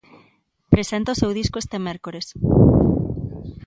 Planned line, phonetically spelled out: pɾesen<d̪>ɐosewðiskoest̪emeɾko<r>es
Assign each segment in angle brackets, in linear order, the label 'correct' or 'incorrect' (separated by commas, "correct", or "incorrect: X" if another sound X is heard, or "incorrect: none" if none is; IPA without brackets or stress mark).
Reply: incorrect: t̪, incorrect: ɾ